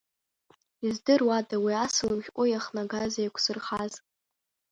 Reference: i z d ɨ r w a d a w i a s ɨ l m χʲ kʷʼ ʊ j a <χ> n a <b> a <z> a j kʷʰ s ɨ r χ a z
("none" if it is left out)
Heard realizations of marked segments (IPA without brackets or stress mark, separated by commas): χ, ɡ, z